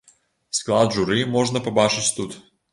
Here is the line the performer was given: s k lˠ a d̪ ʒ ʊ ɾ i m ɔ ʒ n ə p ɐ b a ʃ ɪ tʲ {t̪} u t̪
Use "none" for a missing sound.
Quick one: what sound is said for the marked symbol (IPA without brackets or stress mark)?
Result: t̪